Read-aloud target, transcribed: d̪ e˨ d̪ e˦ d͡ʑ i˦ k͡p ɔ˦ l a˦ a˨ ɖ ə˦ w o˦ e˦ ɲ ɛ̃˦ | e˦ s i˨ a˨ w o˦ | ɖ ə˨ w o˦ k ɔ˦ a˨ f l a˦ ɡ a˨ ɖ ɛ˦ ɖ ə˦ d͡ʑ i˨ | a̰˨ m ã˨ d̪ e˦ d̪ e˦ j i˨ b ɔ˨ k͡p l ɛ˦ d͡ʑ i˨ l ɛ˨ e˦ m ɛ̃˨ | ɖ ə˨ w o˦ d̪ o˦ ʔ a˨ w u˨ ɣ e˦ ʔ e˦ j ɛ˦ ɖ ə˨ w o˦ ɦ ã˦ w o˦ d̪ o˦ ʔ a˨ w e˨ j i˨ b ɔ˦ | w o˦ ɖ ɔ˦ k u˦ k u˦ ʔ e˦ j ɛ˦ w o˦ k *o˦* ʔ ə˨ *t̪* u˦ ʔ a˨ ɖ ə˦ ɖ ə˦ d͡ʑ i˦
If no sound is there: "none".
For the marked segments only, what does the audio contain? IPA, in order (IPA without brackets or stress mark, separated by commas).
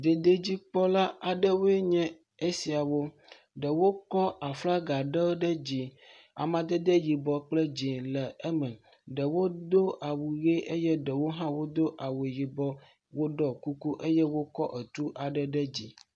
ɔ˦, t̪